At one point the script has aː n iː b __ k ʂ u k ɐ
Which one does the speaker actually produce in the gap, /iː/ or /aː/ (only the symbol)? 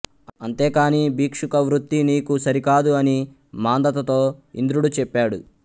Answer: iː